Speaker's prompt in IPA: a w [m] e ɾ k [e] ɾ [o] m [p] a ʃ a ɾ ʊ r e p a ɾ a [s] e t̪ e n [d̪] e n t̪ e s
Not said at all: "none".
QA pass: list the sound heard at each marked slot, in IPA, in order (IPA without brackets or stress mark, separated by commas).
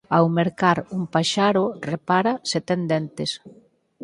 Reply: m, a, u, p, s, d̪